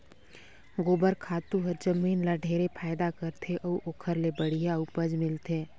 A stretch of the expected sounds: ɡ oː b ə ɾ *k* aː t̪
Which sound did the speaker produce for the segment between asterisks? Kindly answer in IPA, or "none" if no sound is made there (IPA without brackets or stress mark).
kʰ